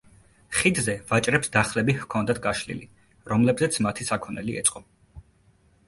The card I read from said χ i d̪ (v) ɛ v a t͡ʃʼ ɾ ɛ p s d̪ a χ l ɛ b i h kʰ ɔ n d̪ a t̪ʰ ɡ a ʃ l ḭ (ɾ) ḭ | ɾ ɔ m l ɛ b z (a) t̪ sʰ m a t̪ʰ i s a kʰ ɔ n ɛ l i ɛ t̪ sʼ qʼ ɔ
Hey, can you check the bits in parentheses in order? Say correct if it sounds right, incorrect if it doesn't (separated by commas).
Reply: incorrect, incorrect, incorrect